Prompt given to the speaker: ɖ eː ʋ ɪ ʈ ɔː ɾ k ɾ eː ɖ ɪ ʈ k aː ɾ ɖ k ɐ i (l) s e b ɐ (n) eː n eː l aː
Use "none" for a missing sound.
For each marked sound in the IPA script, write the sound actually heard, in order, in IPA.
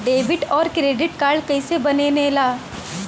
none, n

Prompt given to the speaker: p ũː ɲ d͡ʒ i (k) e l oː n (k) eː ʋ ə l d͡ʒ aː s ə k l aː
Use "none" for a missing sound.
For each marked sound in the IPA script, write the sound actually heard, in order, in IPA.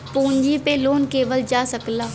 p, k

